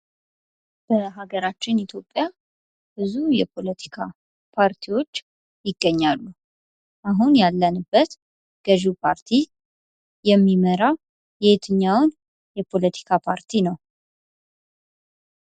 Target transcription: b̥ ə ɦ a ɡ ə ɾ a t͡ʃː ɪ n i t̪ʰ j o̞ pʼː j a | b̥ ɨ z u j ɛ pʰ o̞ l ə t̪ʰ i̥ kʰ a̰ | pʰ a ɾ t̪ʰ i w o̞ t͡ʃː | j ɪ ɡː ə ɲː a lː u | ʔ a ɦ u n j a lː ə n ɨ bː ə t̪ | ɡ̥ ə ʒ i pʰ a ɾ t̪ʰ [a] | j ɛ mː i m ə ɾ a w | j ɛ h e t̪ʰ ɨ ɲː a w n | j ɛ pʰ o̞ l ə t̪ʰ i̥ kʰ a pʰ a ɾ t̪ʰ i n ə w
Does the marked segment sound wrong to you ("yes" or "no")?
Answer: yes